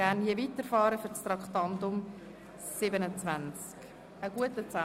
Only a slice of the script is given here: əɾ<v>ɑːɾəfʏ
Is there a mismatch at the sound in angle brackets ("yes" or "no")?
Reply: yes